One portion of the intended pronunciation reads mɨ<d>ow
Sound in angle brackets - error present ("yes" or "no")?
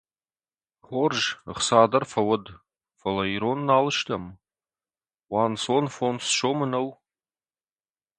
yes